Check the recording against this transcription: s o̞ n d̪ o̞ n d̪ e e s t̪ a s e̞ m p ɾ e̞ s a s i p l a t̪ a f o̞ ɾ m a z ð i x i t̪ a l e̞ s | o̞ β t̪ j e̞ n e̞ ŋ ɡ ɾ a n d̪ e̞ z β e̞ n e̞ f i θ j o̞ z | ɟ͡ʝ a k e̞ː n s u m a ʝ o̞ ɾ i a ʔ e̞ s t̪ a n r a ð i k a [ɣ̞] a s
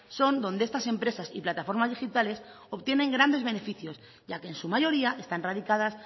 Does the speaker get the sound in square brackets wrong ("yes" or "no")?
yes